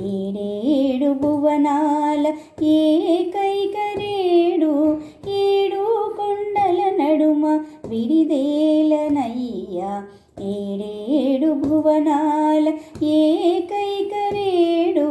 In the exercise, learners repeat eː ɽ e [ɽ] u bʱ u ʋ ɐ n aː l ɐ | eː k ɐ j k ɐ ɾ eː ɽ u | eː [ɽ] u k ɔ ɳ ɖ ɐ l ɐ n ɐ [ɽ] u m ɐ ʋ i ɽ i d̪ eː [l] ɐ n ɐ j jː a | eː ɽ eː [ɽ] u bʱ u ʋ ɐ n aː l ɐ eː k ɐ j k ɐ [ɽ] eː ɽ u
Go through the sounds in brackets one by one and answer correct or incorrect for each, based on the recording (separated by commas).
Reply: correct, correct, correct, correct, correct, incorrect